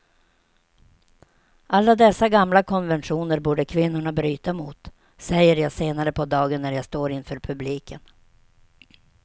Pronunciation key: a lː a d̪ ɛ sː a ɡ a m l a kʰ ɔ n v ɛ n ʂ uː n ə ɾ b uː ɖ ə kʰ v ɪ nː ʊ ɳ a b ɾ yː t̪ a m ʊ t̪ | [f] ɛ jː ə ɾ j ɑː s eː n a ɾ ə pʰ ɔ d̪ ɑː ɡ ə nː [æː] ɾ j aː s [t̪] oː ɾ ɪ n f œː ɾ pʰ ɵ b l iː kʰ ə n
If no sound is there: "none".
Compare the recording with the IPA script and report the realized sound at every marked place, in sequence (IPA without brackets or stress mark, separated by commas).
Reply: s, æ, t̪